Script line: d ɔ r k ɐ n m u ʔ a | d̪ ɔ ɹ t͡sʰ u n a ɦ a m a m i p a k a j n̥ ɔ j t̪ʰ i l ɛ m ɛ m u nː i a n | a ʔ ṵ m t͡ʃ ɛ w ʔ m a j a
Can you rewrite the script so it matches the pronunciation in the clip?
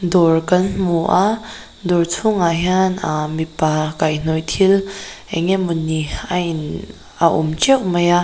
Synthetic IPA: d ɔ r k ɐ n m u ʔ a | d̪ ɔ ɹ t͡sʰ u ŋ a ɦ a n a m i p a k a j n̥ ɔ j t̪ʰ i l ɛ ŋ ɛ m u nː i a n | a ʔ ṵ m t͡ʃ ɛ w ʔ m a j a